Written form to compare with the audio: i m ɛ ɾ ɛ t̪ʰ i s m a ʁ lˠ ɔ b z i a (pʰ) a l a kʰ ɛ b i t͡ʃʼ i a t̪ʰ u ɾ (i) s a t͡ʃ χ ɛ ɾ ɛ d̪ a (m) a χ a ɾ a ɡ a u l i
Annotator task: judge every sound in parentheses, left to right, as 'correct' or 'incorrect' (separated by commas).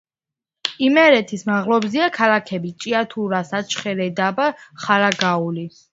incorrect, incorrect, incorrect